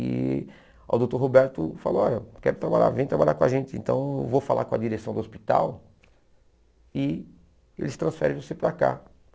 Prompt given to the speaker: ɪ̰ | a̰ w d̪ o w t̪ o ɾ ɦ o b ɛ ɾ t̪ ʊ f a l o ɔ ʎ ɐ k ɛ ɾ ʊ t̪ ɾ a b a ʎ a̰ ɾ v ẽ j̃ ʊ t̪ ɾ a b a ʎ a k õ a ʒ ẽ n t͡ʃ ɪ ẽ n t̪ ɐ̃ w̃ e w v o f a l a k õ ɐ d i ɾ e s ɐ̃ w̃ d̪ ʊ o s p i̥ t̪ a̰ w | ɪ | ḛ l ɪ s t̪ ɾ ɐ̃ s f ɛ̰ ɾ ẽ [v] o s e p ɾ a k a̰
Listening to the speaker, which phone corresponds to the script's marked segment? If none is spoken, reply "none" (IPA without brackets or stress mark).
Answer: v